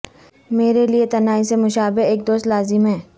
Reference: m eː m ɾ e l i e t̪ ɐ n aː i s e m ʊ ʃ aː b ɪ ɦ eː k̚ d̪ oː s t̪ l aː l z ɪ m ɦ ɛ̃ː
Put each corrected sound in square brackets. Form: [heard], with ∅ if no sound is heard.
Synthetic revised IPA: m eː [∅] ɾ e l i e t̪ ɐ n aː i s e m ʊ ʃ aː b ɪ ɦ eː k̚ d̪ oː s t̪ l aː [∅] z ɪ m ɦ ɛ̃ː